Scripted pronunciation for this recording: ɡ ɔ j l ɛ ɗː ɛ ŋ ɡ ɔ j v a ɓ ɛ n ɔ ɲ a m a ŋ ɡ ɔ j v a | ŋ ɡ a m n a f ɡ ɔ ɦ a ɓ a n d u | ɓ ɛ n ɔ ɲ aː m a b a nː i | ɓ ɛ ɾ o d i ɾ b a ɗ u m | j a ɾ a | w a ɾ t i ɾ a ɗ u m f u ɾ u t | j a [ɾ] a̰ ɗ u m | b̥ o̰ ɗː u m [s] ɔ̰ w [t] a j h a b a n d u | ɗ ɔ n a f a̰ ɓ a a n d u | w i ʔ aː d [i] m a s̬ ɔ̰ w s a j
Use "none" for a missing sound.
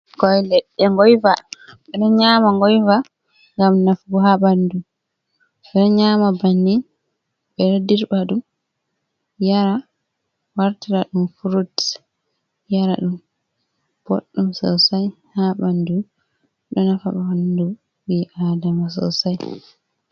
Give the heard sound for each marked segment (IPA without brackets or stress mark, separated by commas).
ɾ, s, s, a